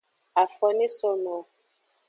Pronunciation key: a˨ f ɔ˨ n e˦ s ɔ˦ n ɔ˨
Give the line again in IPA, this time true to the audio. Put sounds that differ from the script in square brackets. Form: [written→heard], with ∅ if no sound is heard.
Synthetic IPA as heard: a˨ f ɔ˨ n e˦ s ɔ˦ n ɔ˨